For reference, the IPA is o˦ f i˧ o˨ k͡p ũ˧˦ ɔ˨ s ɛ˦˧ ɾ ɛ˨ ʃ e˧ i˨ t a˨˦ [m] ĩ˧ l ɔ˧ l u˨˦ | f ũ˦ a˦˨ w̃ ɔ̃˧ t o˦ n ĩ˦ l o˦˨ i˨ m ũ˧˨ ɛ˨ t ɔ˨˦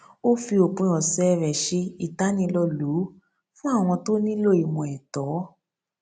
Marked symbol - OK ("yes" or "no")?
no